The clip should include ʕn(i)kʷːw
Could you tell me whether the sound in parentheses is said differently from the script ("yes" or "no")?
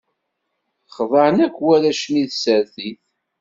yes